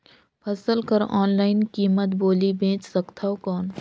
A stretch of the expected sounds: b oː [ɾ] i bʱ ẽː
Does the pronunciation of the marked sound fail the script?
yes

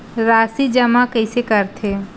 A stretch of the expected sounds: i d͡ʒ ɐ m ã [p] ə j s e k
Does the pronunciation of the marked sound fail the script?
yes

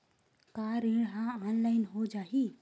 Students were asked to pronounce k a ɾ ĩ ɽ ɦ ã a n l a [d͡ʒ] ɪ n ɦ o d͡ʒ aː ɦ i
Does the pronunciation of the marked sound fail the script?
yes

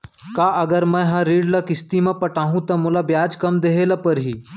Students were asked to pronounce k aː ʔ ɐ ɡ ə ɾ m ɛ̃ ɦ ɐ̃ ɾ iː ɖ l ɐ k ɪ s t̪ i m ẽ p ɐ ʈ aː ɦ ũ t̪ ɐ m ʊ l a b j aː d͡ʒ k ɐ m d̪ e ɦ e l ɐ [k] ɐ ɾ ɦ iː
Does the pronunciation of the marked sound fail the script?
yes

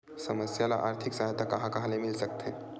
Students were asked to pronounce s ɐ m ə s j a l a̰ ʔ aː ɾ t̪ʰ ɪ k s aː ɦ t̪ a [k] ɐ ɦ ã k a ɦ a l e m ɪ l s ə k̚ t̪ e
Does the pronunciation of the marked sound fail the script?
no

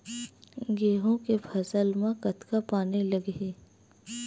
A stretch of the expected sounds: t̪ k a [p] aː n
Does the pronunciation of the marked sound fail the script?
no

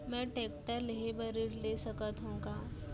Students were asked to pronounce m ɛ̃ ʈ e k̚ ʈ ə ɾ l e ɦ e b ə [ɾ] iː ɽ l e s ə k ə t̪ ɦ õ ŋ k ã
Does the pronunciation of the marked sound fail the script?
no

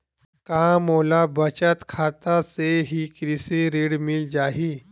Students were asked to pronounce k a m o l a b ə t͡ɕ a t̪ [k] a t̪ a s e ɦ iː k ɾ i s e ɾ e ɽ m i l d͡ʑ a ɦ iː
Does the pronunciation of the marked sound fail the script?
yes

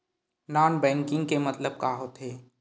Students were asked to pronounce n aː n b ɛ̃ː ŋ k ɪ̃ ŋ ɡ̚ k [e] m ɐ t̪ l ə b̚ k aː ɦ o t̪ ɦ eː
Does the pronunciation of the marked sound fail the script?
no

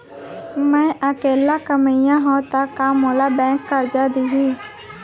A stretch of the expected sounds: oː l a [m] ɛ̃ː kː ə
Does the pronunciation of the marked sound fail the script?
yes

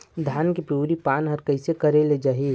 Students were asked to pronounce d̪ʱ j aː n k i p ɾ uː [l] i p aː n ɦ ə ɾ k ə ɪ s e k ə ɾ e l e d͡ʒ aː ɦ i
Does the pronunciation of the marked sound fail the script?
yes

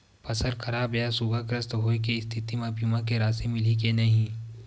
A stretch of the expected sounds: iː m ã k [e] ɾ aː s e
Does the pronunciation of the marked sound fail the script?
no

